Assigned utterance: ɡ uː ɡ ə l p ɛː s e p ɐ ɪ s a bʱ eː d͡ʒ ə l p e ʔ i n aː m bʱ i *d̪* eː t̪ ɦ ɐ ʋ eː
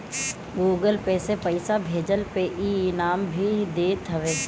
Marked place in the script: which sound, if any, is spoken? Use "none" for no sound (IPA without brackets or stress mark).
d̪